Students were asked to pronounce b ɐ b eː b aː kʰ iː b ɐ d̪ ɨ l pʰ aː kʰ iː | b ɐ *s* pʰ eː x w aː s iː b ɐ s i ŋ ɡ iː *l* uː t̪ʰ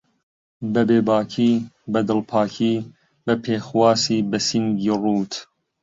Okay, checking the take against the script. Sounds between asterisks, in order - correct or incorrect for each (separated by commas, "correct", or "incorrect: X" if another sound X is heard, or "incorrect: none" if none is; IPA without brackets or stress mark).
incorrect: none, incorrect: r